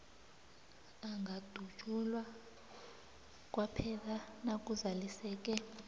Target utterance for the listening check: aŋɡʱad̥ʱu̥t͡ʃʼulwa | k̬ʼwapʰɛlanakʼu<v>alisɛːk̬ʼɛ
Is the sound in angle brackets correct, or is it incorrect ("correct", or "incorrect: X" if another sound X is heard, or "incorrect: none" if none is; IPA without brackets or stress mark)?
incorrect: z